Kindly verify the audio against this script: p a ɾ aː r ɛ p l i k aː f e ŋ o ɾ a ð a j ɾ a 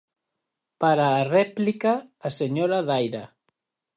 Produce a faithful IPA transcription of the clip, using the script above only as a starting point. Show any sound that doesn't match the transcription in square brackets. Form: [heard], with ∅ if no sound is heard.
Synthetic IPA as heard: p a ɾ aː r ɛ p l i k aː [s] e [ɲ] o ɾ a ð a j ɾ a